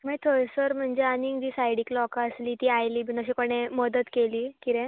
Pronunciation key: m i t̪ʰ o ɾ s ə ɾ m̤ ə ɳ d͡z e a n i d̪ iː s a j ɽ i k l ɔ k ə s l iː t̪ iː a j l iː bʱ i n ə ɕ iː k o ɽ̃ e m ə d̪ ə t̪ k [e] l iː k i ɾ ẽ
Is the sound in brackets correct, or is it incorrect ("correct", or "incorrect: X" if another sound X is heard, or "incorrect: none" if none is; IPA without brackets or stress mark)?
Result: correct